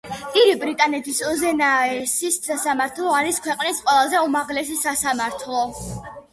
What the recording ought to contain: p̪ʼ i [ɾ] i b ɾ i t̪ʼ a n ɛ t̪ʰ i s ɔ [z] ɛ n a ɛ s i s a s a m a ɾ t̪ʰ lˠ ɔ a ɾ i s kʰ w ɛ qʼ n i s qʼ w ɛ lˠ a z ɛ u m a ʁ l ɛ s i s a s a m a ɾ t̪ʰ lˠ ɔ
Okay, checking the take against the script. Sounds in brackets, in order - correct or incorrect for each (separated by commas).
correct, correct